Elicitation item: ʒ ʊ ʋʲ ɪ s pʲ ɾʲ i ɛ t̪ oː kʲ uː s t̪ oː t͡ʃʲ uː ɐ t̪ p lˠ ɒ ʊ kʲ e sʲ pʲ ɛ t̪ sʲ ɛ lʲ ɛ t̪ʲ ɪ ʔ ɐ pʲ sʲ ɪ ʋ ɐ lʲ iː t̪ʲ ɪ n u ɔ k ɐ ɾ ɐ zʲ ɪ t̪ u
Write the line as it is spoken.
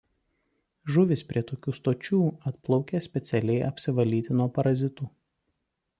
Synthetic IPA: ʒ ʊ ʋʲ ɪ s pʲ ɾʲ i ɛ t̪ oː kʲ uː s t̪ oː t͡ʃʲ uː ɐ t̪ p lˠ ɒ ʊ kʲ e sʲ pʲ ɛ t̪ sʲ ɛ lʲ ɛ ɪ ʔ ɐ pʲ sʲ ɪ ʋ ɐ lʲ iː t̪ʲ ɪ n u ɔ p ɐ ɾ ɐ zʲ ɪ t̪ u